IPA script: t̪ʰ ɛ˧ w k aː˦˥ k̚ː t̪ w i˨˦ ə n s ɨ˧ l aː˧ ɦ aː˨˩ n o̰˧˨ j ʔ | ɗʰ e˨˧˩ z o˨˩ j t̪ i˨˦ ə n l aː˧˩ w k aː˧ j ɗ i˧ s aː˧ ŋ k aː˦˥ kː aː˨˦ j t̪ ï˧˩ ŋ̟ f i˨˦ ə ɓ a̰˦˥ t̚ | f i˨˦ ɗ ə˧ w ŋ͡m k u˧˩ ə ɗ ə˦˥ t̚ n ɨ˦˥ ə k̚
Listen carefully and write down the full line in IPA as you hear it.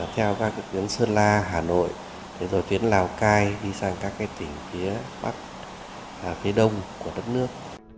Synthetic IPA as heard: t̪ʰ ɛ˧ w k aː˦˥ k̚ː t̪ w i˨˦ ə n s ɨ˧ l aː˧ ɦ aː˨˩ n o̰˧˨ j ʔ | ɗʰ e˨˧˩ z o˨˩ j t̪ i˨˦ ə n l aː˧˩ w k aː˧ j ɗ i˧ s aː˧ ŋ k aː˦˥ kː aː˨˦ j t̪ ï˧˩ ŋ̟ f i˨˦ ə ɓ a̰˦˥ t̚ | f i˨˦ ɗ ə˧ w ŋ͡m k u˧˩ ə ɗ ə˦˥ t̚ n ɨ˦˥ ə k̚